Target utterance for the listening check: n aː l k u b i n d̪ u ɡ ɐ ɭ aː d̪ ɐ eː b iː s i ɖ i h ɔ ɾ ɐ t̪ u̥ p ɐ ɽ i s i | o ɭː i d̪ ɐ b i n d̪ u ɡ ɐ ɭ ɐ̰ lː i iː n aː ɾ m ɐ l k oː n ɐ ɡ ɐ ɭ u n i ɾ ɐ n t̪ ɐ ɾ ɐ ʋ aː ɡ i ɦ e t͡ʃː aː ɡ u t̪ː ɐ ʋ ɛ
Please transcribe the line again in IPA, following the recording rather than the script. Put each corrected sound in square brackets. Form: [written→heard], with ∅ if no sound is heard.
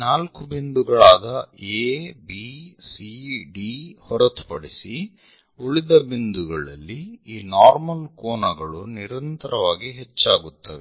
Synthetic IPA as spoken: n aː l k u b i n d̪ u ɡ ɐ ɭ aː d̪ ɐ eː b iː s i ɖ i h ɔ ɾ ɐ t̪ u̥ p ɐ ɽ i s i | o [ɭː→ɭ] i d̪ ɐ b i n d̪ u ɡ ɐ ɭ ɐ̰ lː i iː n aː ɾ m ɐ l k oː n ɐ ɡ ɐ ɭ u n i ɾ ɐ n t̪ ɐ ɾ ɐ ʋ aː ɡ i ɦ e t͡ʃː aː ɡ u t̪ː ɐ ʋ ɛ